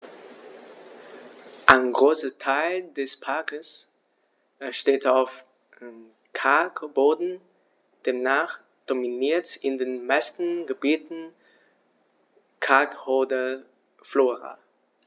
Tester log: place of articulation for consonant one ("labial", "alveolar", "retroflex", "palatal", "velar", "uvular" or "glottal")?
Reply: glottal